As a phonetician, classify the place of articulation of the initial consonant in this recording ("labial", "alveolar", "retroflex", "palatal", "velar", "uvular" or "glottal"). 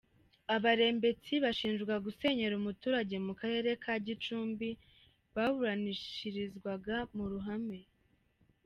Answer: labial